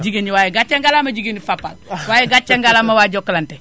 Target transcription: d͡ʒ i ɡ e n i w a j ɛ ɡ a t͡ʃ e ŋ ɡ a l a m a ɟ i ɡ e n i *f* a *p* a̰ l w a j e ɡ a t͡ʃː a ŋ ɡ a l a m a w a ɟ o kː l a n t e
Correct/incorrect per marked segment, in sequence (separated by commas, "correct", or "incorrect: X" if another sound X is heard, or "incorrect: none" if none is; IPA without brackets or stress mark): correct, correct